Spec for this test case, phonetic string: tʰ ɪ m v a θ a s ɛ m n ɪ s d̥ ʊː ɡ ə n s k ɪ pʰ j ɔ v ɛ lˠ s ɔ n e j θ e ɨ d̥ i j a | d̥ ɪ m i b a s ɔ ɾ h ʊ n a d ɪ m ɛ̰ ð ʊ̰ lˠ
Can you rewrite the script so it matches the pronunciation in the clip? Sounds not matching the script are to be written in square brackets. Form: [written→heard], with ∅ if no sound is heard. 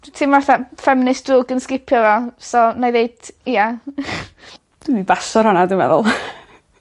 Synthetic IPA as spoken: tʰ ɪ m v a θ a [s→f] ɛ m n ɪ s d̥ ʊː ɡ ə n s k ɪ pʰ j ɔ v ɛ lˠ s ɔ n [e→a] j [θ→ð] e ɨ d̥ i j a | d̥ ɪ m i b a s ɔ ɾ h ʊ n a d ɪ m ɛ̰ ð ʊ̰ lˠ